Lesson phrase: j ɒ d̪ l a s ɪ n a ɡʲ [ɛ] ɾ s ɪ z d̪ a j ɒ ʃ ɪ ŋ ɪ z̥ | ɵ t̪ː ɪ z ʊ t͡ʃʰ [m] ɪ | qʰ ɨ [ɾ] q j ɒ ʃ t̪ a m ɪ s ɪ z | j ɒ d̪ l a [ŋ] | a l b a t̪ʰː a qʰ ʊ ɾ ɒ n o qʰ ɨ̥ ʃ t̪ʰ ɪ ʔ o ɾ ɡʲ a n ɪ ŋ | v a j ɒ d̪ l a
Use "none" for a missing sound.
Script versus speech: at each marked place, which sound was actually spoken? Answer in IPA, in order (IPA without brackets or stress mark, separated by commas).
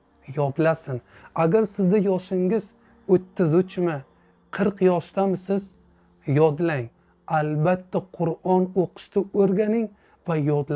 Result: a, m, ɾ, ŋ